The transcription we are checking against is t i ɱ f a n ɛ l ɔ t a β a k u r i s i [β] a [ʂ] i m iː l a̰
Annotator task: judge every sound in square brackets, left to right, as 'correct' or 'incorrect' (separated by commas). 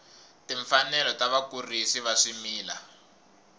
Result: correct, correct